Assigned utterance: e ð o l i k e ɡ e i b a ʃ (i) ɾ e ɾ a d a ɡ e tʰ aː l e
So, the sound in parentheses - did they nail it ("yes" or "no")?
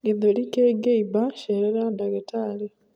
no